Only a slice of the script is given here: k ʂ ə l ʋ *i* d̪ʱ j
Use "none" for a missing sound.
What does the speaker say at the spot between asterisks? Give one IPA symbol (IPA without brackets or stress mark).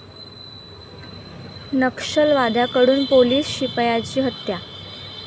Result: a